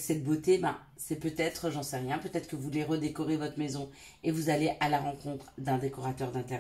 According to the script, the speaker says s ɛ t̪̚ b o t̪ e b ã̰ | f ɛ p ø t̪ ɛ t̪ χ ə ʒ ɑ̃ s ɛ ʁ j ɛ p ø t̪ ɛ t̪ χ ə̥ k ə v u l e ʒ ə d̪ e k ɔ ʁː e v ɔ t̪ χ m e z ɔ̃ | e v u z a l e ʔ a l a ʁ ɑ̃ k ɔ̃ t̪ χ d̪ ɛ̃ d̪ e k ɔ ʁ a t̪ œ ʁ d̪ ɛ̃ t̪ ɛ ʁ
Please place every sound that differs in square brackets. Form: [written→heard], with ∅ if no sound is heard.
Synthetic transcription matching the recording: s ɛ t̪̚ b o t̪ e b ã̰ | [f→s] ɛ p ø t̪ ɛ t̪ χ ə ʒ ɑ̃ s ɛ ʁ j [ɛ→ɛ̃] p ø t̪ ɛ t̪ χ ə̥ k ə v u l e [ʒ→ʁ] ə d̪ e k ɔ [ʁː→ʁ] e v ɔ t̪ χ m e z ɔ̃ | e v u z a l e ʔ a l a ʁ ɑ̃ k ɔ̃ t̪ χ d̪ ɛ̃ d̪ e k ɔ ʁ a t̪ œ ʁ d̪ ɛ̃ t̪ ɛ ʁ